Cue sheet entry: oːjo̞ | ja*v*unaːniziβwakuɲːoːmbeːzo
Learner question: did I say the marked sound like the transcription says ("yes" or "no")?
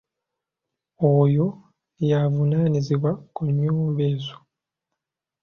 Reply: yes